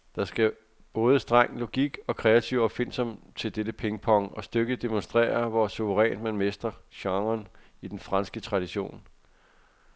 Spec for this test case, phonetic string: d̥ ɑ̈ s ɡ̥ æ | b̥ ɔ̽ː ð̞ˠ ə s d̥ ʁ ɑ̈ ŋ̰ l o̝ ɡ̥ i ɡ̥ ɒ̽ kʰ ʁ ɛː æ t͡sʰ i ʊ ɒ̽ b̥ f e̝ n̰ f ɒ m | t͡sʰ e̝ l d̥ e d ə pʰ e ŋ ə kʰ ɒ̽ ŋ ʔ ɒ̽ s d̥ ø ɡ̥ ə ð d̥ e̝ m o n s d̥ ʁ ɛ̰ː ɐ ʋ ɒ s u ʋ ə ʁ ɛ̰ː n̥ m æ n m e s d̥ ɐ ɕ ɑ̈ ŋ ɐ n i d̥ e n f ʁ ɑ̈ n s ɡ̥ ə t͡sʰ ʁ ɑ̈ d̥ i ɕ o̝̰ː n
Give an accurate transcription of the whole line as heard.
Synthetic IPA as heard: d̥ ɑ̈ s ɡ̥ æ | b̥ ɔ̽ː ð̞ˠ ə s d̥ ʁ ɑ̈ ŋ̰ l o̝ ɡ̥ i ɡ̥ ɒ̽ kʰ ʁ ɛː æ t͡sʰ i ʊ ɒ̽ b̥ f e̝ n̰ s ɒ m | t͡sʰ e̝ l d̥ e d ə pʰ e ŋ ə pʰ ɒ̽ ŋ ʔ ɒ̽ s d̥ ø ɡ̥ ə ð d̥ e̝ m o n s d̥ ʁ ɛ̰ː ɐ ʋ ɒ s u ʋ ə ʁ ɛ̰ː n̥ m æ n m e s d̥ ɐ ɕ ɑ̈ ŋ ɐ n i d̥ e n f ʁ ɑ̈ n s ɡ̥ ə t͡sʰ ʁ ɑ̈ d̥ i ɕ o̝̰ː n